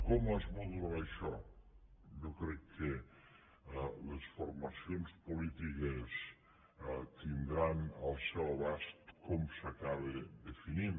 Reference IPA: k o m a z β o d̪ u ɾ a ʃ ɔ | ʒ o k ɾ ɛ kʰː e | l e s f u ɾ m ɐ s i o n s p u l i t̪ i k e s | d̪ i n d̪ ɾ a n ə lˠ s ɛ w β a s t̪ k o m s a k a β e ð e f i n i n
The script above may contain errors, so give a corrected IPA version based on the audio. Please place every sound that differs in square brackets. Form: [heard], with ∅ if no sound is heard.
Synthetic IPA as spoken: k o m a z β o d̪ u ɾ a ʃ ɔ | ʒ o k ɾ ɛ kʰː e | l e s f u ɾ m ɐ s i o n s p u l i t̪ i k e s | [t̪] i n d̪ ɾ a n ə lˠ s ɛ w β a s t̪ k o m s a k a β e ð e f i n i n